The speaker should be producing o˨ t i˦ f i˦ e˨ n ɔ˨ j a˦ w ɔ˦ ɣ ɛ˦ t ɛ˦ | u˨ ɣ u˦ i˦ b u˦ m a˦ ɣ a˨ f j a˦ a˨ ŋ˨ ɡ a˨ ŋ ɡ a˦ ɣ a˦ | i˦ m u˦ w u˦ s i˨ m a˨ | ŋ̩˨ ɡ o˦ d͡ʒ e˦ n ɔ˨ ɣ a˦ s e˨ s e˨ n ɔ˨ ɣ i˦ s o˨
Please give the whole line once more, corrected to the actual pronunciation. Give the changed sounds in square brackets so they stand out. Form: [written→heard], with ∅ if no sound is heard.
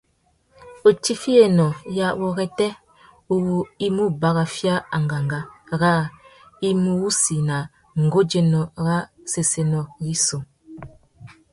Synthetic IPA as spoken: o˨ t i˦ f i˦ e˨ n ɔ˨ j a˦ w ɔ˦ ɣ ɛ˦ t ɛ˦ | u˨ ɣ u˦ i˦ [b→m] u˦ [m→b] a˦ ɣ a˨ f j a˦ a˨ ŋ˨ ɡ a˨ ŋ ɡ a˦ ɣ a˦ | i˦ m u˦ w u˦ s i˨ [m→n] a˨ | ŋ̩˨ ɡ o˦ d͡ʒ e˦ n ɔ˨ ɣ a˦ s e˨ s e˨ n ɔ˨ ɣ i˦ s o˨